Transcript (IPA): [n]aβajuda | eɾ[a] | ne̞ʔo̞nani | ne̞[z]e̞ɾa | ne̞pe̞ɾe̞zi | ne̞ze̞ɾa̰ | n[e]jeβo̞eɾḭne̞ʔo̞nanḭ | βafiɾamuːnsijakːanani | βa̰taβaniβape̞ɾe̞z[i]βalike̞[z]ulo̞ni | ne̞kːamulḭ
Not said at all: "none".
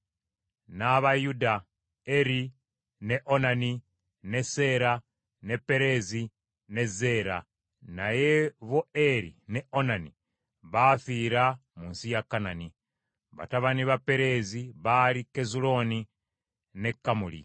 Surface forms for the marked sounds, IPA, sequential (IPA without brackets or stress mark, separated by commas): n, i, s, a, i, z